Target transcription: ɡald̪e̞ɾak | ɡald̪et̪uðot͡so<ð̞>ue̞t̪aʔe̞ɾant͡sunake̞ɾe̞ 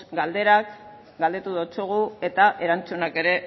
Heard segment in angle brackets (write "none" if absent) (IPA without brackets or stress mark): ɣ̞